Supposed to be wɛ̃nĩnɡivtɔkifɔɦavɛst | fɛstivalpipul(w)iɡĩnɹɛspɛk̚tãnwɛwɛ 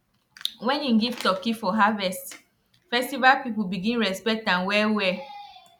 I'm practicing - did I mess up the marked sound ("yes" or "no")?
yes